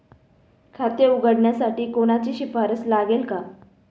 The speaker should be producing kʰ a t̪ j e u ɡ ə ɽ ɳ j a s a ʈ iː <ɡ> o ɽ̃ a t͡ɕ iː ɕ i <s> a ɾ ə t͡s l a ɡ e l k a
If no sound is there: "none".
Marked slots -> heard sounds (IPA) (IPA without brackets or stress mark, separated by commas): k, f